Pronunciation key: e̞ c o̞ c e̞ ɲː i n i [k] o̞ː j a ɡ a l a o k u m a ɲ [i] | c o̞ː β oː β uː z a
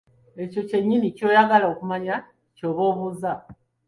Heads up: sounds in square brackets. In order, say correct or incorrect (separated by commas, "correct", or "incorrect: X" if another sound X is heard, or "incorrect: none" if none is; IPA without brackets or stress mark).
incorrect: c, incorrect: a